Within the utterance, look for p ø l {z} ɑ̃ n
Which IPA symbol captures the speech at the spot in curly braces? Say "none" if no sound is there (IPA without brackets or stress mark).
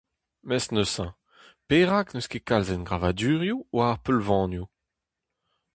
v